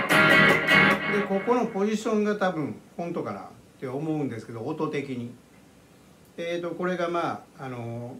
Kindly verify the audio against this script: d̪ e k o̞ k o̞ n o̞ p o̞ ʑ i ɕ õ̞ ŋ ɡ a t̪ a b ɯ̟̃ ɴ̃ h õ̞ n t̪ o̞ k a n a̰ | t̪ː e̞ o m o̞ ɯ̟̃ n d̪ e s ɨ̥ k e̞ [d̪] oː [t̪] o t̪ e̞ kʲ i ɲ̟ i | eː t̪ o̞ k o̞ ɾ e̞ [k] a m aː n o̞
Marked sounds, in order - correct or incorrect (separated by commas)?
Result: correct, correct, incorrect